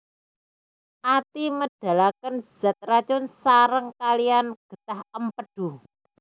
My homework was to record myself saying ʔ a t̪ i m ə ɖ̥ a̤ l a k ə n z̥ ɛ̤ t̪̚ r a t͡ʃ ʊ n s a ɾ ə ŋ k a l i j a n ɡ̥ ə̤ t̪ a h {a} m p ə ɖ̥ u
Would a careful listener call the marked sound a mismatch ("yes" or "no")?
yes